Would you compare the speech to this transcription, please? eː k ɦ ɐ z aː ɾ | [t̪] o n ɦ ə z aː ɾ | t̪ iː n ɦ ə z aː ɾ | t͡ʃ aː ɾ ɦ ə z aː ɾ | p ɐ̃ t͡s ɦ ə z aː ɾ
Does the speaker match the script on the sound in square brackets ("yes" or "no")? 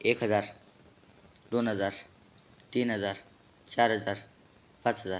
no